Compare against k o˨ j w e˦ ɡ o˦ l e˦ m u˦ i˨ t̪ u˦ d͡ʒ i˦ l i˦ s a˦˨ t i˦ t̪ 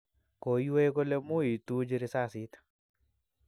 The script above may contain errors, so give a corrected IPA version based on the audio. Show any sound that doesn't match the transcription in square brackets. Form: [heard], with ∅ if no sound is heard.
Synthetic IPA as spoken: k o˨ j w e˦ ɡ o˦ l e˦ m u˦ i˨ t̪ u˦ d͡ʒ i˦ [ɾ] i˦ s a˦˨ [s] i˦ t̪